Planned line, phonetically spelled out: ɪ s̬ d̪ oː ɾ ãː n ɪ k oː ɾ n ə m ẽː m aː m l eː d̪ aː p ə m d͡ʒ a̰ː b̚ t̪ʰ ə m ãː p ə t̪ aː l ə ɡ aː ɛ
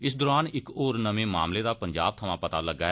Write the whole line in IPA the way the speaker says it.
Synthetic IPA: ɪ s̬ d̪ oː ɾ aː n ɪ k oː ɾ n ə m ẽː m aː m l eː d̪ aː p ə ɲ d͡ʒ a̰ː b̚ t̪ʰ ə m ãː p ə t̪ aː l ə ɡ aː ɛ

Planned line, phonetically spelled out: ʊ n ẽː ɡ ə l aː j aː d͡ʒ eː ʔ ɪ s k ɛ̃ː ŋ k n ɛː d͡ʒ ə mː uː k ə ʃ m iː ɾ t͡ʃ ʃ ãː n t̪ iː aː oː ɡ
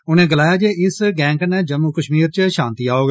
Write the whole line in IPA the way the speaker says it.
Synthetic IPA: ʊ n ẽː ɡ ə l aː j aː d͡ʒ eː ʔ ɪ s ɡ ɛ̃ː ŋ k n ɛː d͡ʒ ə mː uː k ə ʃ m iː ɾ t͡ʃ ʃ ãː n t̪ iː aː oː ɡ

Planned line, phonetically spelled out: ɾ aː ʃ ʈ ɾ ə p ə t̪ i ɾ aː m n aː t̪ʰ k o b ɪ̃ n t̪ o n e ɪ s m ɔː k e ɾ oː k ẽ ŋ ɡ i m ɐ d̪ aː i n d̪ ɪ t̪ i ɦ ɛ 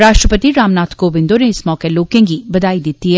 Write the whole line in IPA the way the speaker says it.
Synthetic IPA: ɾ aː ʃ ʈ ɾ ə p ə t̪ i ɾ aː m n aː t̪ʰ k o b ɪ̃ n d̪ o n e ɪ s m ɔː k e l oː k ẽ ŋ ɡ i b ɐ d̪ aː i d̪ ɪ t̪ i ɦ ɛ

